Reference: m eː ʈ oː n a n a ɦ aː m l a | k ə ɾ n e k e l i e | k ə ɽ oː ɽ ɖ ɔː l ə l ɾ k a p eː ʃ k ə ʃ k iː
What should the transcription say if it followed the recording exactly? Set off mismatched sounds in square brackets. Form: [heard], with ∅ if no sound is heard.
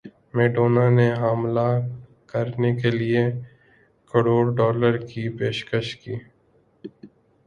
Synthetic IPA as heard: m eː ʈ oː n a n [e] ɦ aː m l a | k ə ɾ n e k e l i e | k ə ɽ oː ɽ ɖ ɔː l ə [∅] ɾ k [i] p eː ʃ k ə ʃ k iː